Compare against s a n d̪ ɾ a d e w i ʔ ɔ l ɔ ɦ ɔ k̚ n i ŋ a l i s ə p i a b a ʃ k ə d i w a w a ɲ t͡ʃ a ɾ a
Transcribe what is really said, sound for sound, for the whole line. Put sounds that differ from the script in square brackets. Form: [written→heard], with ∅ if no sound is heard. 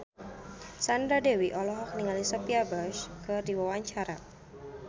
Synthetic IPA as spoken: s a n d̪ ɾ a d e w i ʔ ɔ l ɔ ɦ ɔ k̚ n i ŋ a l i s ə p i a b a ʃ k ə d i w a w a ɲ t͡ʃ a ɾ a